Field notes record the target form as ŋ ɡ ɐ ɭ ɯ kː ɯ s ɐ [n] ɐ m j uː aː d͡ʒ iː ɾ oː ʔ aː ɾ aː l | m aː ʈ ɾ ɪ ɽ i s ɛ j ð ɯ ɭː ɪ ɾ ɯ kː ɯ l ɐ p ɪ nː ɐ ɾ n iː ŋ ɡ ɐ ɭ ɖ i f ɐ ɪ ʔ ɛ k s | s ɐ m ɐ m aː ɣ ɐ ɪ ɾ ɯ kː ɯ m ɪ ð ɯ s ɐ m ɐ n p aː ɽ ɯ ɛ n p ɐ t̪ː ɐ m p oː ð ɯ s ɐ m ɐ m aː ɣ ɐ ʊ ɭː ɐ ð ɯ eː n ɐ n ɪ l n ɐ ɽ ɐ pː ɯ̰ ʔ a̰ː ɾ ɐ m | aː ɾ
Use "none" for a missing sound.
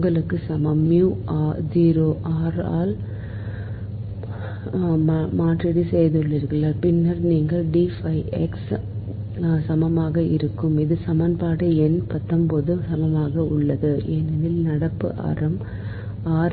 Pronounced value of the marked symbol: m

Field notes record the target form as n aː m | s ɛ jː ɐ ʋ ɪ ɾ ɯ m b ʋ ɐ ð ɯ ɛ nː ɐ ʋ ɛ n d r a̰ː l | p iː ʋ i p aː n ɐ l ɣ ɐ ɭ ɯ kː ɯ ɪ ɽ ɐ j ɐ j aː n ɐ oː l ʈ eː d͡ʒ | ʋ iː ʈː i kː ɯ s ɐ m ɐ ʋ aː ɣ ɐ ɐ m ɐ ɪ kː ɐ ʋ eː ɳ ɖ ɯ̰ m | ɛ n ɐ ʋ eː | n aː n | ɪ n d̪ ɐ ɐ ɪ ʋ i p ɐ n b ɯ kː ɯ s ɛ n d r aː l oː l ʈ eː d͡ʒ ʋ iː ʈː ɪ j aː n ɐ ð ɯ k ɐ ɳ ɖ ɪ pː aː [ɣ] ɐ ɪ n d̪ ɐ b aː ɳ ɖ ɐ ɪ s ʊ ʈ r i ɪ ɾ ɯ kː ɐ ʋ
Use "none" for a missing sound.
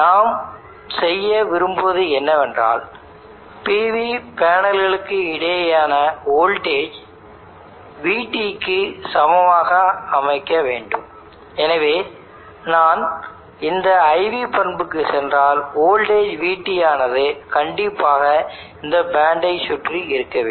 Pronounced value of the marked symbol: ɣ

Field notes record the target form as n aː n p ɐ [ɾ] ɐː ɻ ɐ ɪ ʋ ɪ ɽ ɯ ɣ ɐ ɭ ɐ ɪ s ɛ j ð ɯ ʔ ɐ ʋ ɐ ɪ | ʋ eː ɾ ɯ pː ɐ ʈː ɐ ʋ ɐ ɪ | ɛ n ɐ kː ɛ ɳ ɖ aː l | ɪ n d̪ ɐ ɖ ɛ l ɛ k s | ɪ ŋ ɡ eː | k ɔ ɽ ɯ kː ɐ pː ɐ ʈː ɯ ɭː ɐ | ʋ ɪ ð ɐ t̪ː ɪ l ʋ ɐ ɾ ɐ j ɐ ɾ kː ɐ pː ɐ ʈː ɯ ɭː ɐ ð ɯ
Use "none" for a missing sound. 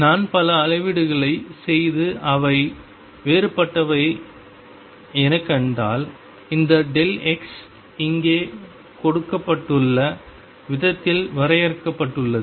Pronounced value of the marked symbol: l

